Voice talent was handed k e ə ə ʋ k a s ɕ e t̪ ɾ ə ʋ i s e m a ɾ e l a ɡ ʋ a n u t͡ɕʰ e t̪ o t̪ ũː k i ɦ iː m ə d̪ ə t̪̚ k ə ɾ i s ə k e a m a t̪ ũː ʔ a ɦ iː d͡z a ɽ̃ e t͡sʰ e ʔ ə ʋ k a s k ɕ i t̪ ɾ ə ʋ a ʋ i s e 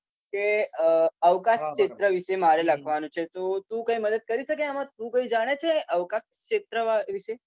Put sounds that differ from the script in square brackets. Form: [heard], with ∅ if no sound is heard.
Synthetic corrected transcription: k e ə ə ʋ k a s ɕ e t̪ ɾ ə ʋ i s e m a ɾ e l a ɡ ʋ a n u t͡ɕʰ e t̪ o t̪ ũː k [a] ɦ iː m ə d̪ ə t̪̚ k ə ɾ i s ə k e a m a t̪ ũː [k] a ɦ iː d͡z a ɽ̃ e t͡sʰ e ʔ ə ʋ k a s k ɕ [e] t̪ ɾ ə ʋ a ʋ i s e